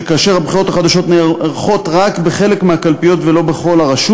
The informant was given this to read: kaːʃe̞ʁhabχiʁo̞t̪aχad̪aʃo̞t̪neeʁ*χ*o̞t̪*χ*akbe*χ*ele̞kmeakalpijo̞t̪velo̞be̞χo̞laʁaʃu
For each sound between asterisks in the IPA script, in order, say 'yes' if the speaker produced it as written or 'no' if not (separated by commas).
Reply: yes, no, yes